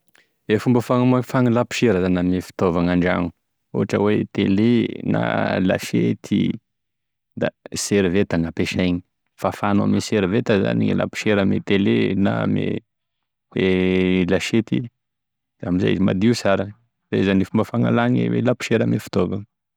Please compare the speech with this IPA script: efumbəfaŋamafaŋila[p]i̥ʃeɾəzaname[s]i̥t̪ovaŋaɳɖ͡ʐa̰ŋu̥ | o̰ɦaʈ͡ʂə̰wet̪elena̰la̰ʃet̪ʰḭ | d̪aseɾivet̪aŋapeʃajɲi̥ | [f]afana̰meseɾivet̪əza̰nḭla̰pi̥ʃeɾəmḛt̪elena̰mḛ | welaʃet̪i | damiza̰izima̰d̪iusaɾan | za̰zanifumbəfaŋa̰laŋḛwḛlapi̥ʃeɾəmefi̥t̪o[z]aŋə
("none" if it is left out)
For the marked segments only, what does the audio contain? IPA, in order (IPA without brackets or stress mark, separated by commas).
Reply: p, f, f, v